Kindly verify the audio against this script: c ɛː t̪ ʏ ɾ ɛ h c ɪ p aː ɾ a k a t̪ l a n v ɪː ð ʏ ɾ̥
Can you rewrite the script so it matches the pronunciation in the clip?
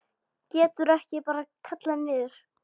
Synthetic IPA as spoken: c ɛː t̪ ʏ ɾ ɛ h c ɪ p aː ɾ a kʰ a t̪ l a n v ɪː ð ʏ ɾ̥